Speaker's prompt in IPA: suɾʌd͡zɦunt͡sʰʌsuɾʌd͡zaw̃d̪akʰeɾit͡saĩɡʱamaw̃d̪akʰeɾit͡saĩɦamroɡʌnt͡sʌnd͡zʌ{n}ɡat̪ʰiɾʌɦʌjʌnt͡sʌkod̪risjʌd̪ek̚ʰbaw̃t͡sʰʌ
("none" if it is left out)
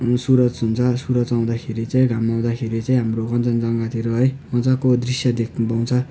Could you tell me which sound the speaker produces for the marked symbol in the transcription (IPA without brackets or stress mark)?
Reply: ŋ